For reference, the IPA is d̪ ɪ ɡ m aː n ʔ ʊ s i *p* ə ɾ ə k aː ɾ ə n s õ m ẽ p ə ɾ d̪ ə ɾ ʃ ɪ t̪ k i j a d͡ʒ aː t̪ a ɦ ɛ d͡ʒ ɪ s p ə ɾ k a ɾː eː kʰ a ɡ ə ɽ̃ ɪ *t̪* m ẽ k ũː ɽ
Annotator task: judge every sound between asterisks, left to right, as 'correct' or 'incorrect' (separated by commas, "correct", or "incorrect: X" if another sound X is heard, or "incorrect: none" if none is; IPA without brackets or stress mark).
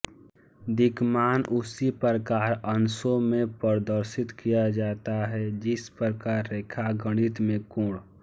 correct, correct